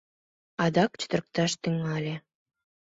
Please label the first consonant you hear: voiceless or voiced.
voiced